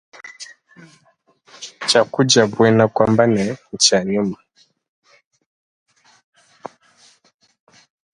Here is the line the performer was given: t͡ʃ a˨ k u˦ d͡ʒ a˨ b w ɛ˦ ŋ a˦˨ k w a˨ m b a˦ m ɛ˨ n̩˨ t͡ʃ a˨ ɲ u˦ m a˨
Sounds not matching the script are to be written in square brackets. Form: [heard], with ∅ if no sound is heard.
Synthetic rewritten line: t͡ʃ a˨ k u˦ d͡ʒ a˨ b w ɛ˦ [n] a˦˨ k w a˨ m b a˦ [n] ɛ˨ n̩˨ t͡ʃ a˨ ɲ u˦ m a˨

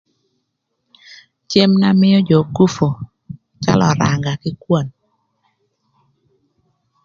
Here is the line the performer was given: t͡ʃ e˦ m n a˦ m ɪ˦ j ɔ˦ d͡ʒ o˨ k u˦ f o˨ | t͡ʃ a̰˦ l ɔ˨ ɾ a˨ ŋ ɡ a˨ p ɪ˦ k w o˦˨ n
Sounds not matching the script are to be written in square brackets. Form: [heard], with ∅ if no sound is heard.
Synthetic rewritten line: t͡ʃ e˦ m n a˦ m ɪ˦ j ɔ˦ d͡ʒ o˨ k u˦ f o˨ | t͡ʃ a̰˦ l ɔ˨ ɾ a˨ ŋ ɡ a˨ [k] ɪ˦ k w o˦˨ n

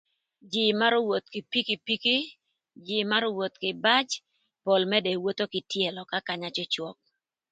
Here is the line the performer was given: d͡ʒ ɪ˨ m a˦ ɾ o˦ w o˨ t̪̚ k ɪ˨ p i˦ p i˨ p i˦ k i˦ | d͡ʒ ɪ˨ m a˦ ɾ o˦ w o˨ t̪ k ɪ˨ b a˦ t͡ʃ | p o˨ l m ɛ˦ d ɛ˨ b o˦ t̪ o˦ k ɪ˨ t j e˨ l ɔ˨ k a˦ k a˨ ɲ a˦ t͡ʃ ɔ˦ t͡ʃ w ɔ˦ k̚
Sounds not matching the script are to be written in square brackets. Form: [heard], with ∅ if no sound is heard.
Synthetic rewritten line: d͡ʒ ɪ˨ m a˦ ɾ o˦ w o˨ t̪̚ k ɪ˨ p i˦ [k] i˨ p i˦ k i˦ | d͡ʒ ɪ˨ m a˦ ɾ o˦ w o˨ t̪ k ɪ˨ b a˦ t͡ʃ | p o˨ l m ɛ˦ d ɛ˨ [w] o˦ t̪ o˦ k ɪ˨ t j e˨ l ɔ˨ k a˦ k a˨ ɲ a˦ t͡ʃ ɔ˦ t͡ʃ w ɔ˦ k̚

